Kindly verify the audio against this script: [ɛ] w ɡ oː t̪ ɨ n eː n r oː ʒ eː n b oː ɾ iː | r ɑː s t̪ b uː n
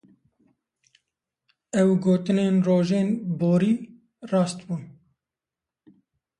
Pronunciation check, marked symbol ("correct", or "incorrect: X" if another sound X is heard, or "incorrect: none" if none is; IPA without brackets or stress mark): correct